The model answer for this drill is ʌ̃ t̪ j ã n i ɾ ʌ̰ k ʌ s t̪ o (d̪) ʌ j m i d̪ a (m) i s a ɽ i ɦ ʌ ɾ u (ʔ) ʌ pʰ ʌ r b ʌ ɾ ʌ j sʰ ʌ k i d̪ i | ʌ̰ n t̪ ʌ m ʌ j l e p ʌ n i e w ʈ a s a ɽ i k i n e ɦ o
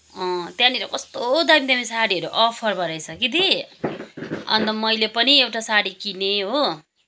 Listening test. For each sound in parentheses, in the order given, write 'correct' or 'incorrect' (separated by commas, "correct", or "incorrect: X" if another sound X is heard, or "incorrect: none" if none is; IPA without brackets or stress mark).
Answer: correct, correct, correct